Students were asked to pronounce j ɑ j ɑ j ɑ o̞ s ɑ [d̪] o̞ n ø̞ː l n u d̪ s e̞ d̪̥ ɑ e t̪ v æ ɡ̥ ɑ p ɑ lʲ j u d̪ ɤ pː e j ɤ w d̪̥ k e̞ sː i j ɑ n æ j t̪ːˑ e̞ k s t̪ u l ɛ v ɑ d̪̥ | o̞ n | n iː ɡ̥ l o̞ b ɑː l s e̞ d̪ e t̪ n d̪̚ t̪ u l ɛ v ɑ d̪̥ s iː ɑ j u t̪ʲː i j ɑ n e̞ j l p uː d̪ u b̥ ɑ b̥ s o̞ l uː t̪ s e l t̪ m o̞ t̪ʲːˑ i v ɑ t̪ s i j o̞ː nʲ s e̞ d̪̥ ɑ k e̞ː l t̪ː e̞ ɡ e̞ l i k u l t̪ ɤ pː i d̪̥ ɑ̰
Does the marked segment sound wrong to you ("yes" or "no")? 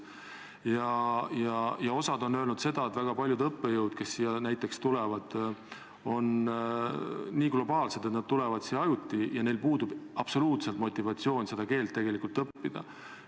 no